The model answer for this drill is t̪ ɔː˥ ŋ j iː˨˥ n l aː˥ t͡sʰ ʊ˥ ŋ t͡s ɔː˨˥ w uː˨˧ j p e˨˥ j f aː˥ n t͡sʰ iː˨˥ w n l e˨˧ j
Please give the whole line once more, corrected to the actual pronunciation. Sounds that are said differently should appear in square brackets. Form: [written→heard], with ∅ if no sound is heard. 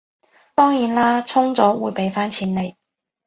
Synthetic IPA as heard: t̪ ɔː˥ ŋ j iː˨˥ n l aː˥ t͡sʰ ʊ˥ ŋ t͡s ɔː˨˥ w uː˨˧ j p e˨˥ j f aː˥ n t͡sʰ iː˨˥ [w→∅] n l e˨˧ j